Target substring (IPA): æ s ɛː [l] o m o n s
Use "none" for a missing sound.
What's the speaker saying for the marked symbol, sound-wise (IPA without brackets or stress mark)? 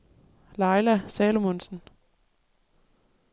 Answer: l